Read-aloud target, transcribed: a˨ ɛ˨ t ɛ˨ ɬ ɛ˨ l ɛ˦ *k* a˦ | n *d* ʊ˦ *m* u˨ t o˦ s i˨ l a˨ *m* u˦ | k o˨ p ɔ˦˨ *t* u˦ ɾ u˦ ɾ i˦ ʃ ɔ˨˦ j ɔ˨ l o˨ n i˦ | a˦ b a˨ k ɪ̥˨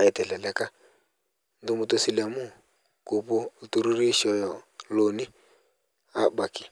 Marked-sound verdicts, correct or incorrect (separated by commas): correct, correct, correct, correct, correct